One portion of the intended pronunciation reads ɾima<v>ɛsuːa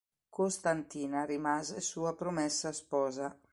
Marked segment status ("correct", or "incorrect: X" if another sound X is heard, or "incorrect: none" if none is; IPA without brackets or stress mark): incorrect: z